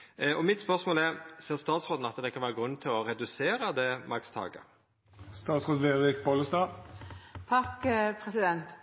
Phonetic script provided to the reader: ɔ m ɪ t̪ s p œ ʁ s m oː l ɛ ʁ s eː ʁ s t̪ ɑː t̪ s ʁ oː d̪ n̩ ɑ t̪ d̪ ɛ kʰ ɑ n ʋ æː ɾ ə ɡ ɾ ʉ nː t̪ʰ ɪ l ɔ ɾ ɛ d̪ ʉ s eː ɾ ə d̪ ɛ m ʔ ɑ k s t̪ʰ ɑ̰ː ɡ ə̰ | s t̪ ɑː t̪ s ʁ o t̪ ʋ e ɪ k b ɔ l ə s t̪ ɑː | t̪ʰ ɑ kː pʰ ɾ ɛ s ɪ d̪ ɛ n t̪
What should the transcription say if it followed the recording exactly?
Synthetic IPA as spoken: ɔ m ɪ t̪ s p œ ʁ s m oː l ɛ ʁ s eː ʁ s t̪ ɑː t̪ s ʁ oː d̪ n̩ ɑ t̪ d̪ ɛ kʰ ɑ n ʋ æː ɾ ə ɡ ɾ ʉ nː t̪ʰ ɪ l ɔ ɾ ɛ d̪ ʉ s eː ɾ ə d̪ ɛ m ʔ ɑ k s t̪ʰ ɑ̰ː ɡ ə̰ | s t̪ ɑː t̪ s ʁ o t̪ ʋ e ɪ k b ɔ l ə s t̪ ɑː | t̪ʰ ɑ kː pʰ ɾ ɛ s ɪ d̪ ɛ n t̪